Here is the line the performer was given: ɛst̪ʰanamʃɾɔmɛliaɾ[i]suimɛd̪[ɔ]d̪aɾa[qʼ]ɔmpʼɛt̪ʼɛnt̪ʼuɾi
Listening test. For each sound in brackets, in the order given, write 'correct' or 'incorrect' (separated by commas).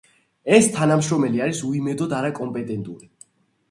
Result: correct, correct, incorrect